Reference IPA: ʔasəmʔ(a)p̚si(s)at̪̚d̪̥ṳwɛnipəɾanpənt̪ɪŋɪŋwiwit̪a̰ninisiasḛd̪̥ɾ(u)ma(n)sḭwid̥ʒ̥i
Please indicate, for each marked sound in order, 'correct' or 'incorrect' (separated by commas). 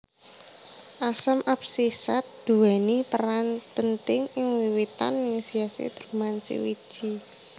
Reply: correct, correct, correct, correct